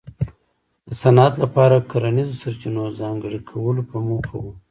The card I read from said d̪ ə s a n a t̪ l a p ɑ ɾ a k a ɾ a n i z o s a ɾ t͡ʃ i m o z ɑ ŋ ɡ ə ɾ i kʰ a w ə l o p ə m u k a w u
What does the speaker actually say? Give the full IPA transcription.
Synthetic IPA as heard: d̪ ə s a n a t̪ l a p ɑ ɾ a k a ɾ a n i z o s a ɾ t͡ʃ i n o z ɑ ŋ ɡ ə ɽ i kʰ a w ə l o p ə m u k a w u